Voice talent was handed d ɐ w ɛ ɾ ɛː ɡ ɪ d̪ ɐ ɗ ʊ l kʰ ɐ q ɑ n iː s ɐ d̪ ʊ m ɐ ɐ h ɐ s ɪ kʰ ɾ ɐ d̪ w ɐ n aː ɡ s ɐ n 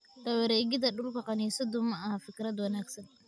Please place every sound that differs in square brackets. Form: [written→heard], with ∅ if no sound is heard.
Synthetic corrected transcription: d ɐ w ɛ ɾ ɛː ɡ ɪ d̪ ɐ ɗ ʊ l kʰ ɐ q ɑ n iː s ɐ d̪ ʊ m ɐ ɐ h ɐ [s→f] ɪ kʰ ɾ ɐ d̪ w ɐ n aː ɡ s ɐ n